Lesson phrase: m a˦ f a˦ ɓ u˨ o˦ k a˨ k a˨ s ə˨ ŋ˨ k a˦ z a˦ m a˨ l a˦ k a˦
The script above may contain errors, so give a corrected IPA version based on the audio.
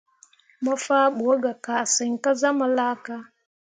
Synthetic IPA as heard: m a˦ f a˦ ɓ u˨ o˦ ɡ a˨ k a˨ s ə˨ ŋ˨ k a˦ z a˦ m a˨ l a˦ k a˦